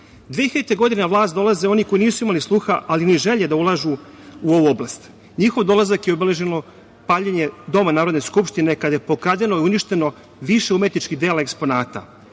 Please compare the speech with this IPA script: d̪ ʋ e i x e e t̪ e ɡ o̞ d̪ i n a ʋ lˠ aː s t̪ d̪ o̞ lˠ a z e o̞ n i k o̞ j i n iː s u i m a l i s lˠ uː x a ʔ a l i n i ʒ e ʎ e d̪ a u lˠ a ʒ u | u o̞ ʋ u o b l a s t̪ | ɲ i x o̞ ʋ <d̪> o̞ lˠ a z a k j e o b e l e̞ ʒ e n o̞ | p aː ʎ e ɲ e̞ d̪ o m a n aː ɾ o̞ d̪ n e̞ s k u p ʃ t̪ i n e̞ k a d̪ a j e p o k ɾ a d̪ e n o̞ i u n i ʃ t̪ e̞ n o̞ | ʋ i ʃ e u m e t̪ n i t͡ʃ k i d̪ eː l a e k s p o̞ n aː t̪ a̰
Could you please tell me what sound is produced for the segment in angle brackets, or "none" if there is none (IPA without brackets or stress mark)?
d̪